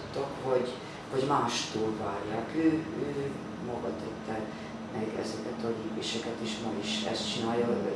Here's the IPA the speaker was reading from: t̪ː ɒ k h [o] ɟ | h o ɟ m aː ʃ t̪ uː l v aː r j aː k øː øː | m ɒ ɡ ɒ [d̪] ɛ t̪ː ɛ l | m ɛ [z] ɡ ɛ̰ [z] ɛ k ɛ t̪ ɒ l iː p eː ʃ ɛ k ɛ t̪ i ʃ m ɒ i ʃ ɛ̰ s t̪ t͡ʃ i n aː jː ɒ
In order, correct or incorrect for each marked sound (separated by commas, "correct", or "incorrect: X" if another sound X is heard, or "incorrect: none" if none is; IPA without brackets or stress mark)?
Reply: correct, incorrect: t̪, incorrect: none, correct